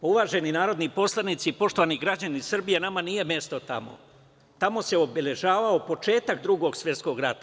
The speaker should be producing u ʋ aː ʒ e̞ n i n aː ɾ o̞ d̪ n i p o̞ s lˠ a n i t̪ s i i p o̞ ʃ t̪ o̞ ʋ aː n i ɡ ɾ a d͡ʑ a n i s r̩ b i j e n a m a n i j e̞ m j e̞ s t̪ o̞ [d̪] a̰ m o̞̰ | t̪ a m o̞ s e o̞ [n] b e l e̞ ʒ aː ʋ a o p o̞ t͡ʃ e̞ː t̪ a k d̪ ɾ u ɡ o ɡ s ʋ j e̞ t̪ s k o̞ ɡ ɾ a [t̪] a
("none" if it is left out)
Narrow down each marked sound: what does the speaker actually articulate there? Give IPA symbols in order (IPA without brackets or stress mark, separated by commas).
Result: t̪, none, t̪